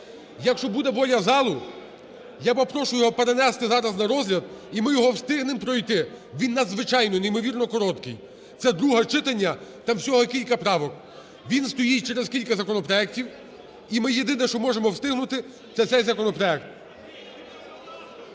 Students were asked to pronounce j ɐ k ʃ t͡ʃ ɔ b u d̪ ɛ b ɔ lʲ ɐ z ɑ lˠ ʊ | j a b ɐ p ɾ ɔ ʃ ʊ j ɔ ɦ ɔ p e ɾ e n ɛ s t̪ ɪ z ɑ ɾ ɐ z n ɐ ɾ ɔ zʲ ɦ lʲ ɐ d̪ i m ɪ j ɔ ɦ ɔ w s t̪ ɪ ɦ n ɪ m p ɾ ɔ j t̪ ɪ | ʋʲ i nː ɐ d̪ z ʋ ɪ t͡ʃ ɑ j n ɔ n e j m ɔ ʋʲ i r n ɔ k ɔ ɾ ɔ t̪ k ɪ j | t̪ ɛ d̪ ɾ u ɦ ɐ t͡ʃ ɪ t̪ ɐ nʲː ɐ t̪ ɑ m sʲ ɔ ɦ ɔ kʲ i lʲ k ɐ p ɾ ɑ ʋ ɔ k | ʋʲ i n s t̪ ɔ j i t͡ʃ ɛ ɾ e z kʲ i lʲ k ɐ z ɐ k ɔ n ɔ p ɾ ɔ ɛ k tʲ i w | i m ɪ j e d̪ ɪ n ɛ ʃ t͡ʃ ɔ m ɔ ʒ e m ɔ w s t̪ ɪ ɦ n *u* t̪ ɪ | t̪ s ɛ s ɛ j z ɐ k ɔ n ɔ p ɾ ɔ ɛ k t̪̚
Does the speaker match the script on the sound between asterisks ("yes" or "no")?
no